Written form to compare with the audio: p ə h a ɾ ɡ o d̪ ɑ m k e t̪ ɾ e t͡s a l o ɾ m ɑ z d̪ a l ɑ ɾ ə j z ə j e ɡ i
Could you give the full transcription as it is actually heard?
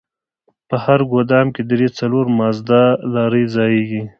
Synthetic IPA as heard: p ə h a ɾ ɡ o d̪ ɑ m k e d̪ ɾ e t͡s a l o ɾ m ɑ z d̪ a l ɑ ɾ ə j z ɑ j e ɡ i

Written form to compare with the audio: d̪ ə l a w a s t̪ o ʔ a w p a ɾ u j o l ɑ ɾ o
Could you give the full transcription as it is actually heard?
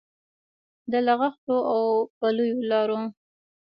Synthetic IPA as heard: d̪ ə l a ɣ a x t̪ o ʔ a w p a l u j o l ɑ ɾ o

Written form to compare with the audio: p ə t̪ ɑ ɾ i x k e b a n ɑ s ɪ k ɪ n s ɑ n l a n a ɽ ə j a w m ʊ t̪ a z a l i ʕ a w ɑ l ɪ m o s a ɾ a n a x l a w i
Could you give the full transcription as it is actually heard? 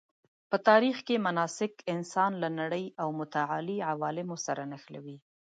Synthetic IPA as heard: p ə t̪ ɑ ɾ i x k e m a n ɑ s ɪ k ɪ n s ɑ n l a n a ɽ ə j a w m ʊ t̪ a ʕ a l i ʕ a w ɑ l ɪ m o s a ɾ a n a x l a w i

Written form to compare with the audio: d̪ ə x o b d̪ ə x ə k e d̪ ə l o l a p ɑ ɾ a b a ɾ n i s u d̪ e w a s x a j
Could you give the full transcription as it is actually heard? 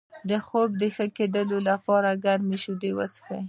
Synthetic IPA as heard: d̪ ə x o b d̪ ə x ə k e d̪ ə l o l a p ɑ ɾ a ɡ a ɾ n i ʃ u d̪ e w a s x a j

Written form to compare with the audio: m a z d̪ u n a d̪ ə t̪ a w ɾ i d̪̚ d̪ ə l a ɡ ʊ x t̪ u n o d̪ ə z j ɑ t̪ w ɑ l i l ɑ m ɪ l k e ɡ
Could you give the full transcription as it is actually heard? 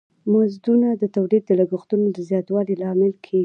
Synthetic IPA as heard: m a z d̪ u n a d̪ ə t̪ a w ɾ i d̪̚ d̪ ə l a ɡ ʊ x t̪ u n o d̪ ə z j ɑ t̪ w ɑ l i l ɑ m ɪ l kʰ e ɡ

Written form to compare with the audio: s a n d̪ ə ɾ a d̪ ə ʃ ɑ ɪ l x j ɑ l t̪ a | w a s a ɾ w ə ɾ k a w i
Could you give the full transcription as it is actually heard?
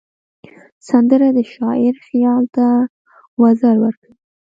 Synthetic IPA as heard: s a n d̪ ə ɾ a d̪ ə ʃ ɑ ɪ ɾ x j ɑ l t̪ a | w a z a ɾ w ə ɾ k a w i

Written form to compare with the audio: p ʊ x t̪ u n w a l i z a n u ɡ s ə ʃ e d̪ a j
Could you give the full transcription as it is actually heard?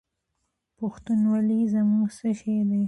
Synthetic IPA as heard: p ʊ x t̪ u n w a l i z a m u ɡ s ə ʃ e d̪ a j

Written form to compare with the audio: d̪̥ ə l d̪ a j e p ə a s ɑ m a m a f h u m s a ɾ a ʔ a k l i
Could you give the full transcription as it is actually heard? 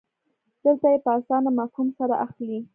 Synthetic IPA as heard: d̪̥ ə l t̪ a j e p ə a s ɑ n a m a f h u m s a ɾ a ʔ a x l i

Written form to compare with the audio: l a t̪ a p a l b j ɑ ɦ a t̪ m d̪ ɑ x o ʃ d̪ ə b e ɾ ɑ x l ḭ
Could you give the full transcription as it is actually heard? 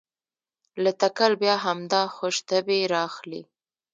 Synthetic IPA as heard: l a t̪ a k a l b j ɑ ɦ a m d̪ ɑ x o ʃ t̪ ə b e ɾ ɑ x l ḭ

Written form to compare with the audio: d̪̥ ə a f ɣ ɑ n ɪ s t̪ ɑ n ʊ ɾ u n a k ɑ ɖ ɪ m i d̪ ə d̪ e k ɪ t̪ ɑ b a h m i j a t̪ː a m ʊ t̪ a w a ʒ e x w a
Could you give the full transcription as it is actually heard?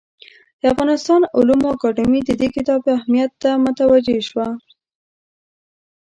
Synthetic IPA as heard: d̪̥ ə a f ɣ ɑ n ɪ s t̪ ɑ n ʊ l u m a k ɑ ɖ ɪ m i d̪ ə d̪ e k ɪ t̪ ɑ b a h m i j a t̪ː a m ʊ t̪ a w a d͡ʒ e ʃ w a

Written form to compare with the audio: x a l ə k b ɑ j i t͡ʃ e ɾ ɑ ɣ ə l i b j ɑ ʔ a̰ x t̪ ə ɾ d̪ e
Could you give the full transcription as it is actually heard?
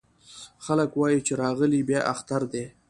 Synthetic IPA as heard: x a l ə k w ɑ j i t͡ʃ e ɾ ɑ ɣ ə l i b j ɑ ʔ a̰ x t̪ a ɾ d̪ e

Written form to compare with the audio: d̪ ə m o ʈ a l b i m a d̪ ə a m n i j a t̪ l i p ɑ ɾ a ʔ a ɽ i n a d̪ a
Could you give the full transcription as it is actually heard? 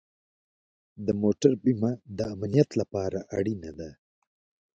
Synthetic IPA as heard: d̪ ə m o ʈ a ɾ b i m a d̪ ə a m n i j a t̪ l a p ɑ ɾ a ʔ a ɽ i n a d̪ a

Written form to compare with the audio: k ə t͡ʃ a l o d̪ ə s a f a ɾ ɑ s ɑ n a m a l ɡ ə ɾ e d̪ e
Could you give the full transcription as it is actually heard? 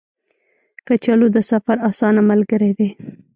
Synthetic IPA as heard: k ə t͡ʃ a l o d̪ ə s a f a ɾ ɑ s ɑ n a m a l ɡ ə ɾ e d̪ e

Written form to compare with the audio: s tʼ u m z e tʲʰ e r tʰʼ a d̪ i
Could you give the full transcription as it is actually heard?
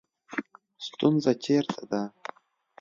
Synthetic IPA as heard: s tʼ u n z a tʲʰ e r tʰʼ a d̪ a

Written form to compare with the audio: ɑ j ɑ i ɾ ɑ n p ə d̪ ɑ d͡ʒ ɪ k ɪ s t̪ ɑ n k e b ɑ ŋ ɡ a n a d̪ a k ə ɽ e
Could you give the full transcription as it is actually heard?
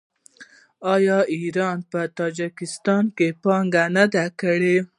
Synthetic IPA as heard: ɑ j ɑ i ɾ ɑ n p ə t̪ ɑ d͡ʒ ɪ k ɪ s t̪ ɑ n k e p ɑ ŋ ɡ a n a d̪ a k ə ɽ e

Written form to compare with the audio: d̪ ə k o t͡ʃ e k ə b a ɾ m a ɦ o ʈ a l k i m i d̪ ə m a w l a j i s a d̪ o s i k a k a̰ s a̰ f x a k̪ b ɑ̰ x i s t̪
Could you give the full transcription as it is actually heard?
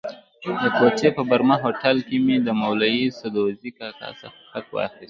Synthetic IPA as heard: d̪ ə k o t͡ʃ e p ə b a ɾ m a ɦ o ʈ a l k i m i d̪ ə m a w l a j i s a d̪ o z i k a k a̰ s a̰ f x a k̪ w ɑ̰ x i s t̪

